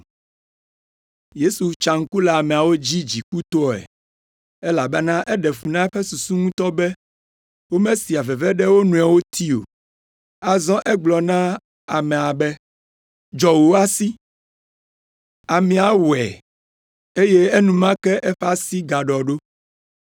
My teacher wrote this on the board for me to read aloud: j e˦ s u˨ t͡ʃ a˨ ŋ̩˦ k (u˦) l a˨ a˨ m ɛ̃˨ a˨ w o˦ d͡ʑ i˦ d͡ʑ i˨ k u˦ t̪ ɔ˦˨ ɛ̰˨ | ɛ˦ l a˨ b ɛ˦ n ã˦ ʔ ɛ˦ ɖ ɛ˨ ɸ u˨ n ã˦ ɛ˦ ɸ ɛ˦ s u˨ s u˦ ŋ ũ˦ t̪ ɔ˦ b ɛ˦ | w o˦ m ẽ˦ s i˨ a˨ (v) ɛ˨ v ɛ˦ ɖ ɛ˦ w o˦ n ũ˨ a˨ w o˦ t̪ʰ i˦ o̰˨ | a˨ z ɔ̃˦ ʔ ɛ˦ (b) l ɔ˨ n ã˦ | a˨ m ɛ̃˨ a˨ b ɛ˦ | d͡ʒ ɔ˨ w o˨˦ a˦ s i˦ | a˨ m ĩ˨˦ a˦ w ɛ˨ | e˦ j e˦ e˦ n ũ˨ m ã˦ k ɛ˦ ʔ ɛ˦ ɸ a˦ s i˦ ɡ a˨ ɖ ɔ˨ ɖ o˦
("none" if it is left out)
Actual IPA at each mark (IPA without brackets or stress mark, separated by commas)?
u˦, v, ɡ͡b